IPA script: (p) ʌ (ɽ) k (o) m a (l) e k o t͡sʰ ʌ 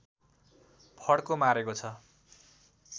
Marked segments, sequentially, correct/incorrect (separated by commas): incorrect, correct, correct, incorrect